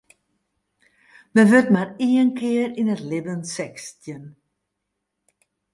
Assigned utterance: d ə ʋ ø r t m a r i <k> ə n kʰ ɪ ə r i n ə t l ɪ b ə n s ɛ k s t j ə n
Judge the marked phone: incorrect: none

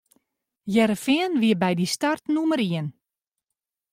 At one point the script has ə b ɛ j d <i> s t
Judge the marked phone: correct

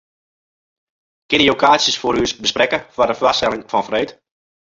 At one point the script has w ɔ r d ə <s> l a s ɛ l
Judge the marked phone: incorrect: f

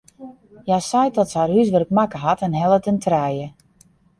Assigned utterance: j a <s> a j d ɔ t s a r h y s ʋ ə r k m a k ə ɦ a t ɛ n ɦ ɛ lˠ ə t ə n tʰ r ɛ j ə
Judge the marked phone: correct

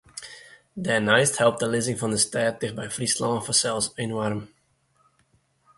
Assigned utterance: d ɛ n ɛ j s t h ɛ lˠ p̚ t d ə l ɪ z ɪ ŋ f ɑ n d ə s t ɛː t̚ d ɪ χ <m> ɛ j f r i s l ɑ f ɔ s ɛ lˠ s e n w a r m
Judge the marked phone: incorrect: b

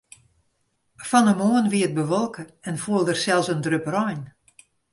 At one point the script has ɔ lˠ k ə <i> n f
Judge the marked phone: incorrect: ɛ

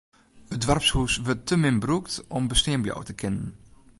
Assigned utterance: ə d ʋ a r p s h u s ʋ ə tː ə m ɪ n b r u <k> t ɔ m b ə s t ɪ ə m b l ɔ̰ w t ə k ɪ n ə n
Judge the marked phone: correct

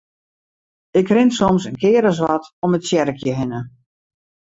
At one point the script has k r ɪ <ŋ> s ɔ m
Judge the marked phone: incorrect: n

